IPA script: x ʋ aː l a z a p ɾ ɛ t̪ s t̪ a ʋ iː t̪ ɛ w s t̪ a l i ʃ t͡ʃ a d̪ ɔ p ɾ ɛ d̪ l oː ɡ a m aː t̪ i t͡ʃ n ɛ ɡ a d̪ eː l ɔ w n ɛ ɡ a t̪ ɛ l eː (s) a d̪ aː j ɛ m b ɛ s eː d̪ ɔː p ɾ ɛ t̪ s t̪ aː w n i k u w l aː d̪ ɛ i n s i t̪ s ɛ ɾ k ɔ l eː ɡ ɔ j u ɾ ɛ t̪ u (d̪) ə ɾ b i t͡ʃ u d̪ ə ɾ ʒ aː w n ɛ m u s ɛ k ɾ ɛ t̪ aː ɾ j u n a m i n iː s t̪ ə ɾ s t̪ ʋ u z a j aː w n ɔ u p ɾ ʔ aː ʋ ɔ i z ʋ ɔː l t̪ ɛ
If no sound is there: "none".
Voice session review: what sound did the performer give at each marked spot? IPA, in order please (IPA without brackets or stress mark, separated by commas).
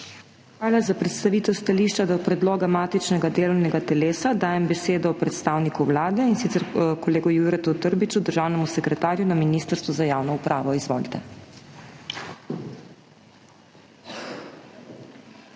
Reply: s, t̪